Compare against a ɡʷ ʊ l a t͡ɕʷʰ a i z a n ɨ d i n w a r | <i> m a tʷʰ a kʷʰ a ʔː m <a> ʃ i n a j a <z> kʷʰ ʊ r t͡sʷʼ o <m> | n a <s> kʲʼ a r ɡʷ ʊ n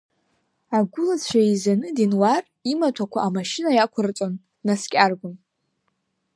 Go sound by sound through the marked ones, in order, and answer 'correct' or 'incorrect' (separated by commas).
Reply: correct, correct, incorrect, incorrect, correct